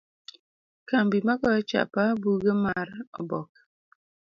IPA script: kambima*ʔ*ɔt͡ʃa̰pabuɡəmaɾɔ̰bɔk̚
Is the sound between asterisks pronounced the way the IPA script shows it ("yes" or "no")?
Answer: no